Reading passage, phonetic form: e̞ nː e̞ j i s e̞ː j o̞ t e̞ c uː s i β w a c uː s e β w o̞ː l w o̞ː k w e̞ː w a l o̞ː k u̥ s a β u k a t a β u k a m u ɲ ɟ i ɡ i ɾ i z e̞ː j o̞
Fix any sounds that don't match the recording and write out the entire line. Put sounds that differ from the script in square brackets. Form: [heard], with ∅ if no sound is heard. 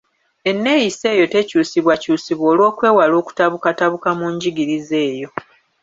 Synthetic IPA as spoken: e̞ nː e̞ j i s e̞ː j o̞ t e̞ c uː s i β w a c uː s [i] β w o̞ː l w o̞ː k w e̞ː w a l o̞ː k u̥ [t] a β u k a t a β u k a m u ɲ ɟ i ɡ i ɾ i z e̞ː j o̞